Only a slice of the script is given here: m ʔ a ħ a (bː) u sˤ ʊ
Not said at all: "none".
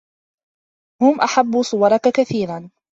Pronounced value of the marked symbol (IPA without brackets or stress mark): bː